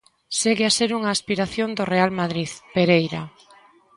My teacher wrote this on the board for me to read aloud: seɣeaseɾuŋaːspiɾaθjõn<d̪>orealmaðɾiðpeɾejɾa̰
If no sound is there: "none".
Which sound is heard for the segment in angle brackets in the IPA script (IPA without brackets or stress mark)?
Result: d̪